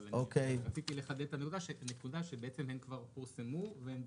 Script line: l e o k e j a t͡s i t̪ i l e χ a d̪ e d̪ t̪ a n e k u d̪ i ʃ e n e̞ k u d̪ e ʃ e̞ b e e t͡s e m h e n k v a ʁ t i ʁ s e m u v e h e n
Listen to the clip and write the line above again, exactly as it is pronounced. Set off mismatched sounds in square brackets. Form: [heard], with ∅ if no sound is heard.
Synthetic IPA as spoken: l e o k e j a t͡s i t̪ i l e χ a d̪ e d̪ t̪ a n e k u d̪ [a] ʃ e n e̞ k u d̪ [a] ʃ e̞ b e e t͡s e m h e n k v a ʁ [p] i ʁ s e m u v e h e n